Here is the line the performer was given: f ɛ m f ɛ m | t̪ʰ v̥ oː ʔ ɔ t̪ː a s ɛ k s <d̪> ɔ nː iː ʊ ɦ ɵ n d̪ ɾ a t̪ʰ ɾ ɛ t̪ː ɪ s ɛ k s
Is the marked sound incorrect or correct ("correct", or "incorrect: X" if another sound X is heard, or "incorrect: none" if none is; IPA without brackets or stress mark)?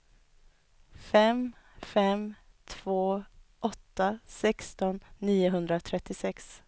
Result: incorrect: t̪